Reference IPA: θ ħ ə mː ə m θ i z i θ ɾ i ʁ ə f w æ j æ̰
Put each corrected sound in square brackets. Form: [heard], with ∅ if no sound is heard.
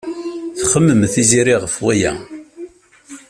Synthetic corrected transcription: θ [χ] ə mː ə m θ i z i [∅] ɾ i ʁ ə f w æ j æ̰